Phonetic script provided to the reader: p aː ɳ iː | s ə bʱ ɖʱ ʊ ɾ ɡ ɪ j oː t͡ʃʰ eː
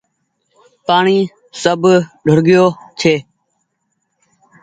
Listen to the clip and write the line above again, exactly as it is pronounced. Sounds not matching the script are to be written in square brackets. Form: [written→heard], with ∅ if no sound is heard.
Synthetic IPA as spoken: p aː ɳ iː | s ə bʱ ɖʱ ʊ ɾ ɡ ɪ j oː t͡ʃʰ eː

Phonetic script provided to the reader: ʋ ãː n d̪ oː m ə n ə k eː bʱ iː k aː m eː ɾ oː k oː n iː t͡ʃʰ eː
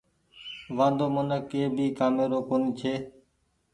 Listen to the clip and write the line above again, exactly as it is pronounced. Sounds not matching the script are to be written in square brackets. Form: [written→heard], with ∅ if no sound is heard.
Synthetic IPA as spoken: ʋ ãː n d̪ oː m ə n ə k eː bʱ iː k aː m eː ɾ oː k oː n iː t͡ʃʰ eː

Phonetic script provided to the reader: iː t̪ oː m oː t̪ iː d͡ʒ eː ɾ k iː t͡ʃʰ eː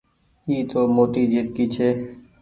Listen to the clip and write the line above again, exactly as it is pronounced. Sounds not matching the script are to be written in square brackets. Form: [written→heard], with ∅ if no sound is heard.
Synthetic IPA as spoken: iː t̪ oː m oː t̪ iː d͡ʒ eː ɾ k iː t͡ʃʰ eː

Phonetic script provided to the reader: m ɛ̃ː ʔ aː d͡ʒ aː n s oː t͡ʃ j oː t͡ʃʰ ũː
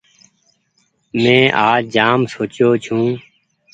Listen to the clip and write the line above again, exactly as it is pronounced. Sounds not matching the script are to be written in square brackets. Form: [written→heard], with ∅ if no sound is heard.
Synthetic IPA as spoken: m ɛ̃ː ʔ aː d͡ʒ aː [n→m] s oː t͡ʃ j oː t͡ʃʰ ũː

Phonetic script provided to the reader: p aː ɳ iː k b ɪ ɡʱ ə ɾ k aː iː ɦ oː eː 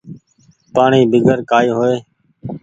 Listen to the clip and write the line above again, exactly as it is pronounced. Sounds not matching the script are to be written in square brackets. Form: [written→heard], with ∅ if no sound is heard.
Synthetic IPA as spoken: p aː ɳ iː [k→∅] b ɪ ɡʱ ə ɾ k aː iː ɦ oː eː

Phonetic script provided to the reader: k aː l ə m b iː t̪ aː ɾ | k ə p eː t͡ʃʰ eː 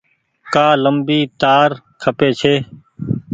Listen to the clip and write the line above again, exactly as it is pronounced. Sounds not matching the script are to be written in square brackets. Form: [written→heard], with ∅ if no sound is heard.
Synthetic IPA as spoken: k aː l ə m b iː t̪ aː ɾ | [k→kʰ] ə p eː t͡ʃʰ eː

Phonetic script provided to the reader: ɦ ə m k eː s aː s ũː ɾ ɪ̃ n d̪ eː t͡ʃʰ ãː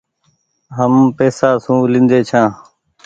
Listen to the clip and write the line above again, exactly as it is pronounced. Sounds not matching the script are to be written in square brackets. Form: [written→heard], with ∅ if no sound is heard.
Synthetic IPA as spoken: ɦ ə m [k→p] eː s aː s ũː [ɾ→l] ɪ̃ n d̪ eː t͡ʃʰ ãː

